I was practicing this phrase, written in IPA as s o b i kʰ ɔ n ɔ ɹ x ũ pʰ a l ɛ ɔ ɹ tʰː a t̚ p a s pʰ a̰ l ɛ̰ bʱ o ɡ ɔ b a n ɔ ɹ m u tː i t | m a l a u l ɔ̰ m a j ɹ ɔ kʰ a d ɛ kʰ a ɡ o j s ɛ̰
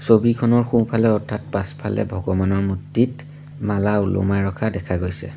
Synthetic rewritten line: s o b i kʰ ɔ n ɔ ɹ x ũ pʰ a l ɛ ɔ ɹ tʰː a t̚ p a s pʰ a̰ l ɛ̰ bʱ ɔ ɡ ɔ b a n ɔ ɹ m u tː i t | m a l a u l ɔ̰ m a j ɹ ɔ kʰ a d ɛ kʰ a ɡ o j s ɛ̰